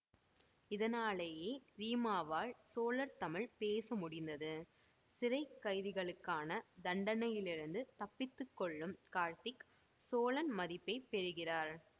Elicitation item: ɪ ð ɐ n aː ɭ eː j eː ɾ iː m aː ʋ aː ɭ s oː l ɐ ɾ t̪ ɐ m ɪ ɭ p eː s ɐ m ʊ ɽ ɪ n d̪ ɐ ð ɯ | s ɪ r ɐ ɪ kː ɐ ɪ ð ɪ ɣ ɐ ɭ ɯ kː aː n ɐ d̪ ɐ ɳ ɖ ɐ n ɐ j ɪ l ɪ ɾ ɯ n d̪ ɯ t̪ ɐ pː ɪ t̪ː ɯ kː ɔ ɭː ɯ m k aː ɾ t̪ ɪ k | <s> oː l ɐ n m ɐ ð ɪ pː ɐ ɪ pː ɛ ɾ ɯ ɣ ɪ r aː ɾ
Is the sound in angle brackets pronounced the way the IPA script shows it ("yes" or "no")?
yes